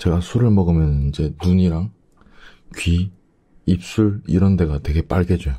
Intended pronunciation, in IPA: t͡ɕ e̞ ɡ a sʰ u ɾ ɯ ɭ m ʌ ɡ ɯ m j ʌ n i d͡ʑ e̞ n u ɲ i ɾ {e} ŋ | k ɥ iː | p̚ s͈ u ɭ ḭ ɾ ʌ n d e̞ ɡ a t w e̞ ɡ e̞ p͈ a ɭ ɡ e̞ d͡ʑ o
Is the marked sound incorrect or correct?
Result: incorrect